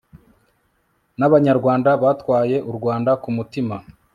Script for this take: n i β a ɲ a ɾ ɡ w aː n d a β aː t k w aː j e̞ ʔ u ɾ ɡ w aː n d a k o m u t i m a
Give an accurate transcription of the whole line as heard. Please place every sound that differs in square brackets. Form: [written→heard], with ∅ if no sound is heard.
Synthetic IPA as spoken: n [i→a] β a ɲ a ɾ ɡ w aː n d a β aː t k w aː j e̞ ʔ u ɾ ɡ w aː n d a k [o→u] m u t i m a